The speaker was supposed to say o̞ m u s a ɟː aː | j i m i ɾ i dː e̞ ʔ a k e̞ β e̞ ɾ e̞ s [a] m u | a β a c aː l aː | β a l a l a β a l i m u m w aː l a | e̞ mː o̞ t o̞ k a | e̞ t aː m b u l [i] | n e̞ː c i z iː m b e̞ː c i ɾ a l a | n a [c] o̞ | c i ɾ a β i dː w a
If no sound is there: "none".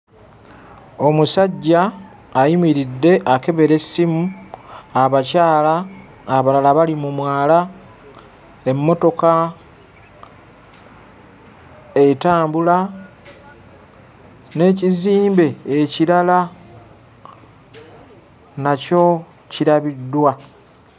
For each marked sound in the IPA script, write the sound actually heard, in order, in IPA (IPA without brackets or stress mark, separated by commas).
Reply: i, a, c